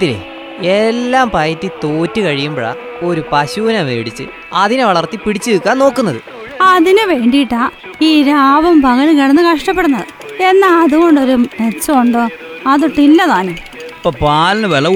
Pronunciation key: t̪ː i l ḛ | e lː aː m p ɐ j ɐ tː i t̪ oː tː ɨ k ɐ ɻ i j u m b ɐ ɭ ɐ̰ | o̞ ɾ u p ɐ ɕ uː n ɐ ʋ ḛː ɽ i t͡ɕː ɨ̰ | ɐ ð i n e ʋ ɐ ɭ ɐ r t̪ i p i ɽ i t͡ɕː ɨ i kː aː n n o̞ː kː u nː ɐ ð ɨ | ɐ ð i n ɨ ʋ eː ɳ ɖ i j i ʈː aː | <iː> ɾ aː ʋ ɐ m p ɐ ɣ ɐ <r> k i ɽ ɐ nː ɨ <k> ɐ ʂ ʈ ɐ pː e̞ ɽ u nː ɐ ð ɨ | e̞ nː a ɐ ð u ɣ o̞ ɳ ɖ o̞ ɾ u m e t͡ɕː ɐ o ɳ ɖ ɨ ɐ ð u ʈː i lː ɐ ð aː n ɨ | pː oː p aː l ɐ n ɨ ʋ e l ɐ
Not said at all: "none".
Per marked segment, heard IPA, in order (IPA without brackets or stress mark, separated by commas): iː, l, k